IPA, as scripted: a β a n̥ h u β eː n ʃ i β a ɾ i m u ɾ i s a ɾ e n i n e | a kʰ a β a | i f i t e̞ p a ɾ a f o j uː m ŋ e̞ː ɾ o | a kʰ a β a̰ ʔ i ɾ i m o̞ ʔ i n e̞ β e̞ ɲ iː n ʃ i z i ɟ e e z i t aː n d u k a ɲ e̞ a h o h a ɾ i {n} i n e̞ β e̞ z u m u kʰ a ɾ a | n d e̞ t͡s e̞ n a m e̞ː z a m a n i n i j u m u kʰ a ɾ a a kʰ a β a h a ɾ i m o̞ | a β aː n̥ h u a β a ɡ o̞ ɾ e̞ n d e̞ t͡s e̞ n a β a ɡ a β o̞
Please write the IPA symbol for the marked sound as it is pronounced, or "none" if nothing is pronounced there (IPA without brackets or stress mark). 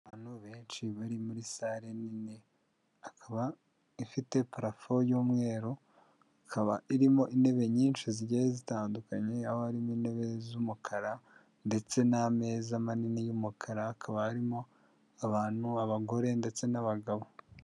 m